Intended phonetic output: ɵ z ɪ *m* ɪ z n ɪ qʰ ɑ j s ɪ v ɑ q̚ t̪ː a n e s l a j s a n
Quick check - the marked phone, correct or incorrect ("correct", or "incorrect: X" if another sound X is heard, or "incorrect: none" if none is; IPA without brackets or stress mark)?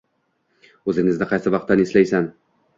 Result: incorrect: ŋ